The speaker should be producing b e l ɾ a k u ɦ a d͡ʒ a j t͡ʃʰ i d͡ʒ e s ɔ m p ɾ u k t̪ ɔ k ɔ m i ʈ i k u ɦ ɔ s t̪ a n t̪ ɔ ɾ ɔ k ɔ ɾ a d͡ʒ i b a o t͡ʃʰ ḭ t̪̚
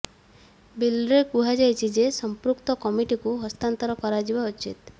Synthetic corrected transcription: b i l ɾ e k u ɦ a d͡ʒ a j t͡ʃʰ i d͡ʒ e s ɔ m p ɾ u k t̪ ɔ k ɔ m i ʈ i k u ɦ ɔ s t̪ a n t̪ ɔ ɾ ɔ k ɔ ɾ a d͡ʒ i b a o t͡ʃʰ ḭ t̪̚